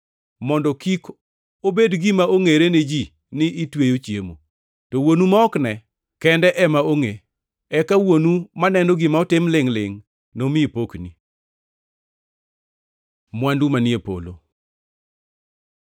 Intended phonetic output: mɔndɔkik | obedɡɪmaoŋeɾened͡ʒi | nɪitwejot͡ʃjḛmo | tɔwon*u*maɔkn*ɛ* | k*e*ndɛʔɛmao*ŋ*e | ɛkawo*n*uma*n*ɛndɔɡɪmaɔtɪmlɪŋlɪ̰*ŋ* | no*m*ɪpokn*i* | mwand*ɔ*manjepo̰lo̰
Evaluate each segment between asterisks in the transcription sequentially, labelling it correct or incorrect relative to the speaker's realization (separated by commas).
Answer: correct, correct, incorrect, correct, correct, correct, correct, correct, correct, incorrect